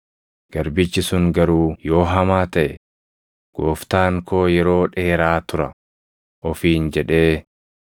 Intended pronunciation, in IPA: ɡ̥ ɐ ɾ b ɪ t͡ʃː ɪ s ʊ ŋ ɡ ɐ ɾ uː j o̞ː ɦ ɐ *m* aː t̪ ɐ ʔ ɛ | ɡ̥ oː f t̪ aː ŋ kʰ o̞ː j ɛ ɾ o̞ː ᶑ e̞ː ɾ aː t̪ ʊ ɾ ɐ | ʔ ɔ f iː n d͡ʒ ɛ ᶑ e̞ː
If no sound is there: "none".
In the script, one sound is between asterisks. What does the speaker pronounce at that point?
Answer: m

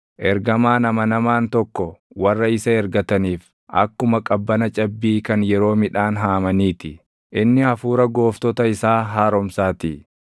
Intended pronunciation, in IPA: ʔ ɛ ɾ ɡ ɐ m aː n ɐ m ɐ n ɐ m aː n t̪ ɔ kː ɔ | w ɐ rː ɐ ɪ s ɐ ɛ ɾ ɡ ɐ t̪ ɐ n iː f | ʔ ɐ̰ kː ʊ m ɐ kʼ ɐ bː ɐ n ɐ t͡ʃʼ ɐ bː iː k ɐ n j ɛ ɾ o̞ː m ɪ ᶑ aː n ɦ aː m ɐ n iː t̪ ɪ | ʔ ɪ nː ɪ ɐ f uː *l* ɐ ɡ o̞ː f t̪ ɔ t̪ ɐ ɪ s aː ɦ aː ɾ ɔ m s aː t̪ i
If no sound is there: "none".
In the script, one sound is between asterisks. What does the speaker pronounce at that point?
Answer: ɾ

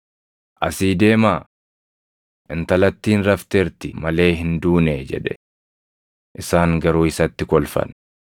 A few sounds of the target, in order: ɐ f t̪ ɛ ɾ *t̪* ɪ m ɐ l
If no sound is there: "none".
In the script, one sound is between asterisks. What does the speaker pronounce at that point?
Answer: t̪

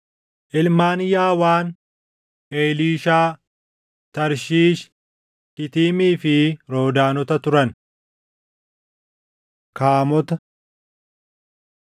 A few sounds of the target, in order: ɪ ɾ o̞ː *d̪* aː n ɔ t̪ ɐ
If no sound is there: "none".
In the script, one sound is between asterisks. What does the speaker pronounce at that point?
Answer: d̪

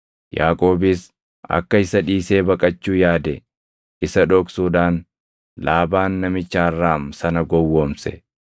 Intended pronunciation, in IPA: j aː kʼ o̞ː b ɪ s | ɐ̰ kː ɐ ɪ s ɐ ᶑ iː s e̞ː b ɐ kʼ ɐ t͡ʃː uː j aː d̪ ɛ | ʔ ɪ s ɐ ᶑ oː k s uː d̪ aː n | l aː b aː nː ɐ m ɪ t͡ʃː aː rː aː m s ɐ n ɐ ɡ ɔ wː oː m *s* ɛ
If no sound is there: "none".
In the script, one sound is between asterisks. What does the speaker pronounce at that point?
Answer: s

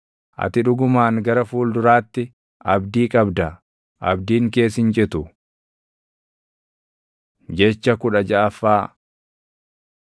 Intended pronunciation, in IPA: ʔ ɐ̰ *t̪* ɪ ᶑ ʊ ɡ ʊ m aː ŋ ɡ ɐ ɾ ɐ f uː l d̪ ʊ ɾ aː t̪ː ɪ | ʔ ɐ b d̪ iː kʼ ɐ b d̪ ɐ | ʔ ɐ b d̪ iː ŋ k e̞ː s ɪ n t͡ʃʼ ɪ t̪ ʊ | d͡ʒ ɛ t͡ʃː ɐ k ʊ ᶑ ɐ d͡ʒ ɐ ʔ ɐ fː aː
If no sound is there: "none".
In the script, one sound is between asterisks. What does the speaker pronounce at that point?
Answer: t̪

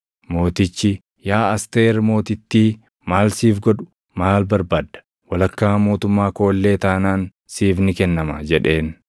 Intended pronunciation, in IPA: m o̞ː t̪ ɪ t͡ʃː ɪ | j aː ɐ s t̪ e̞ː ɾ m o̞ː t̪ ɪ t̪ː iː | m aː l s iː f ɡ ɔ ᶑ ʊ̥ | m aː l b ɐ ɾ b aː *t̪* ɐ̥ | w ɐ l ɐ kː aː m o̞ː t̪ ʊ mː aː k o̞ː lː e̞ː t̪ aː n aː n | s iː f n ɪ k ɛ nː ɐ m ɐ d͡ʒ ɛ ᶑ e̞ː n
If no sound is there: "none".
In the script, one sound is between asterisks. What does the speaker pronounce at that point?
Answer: d̪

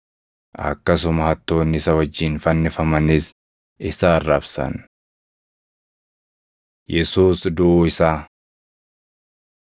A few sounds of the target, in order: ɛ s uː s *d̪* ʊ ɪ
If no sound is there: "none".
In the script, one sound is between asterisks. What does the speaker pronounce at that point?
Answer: d̪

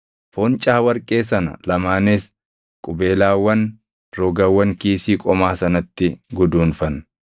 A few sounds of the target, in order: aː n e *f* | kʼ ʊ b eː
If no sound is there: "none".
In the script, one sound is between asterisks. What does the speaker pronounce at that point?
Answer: s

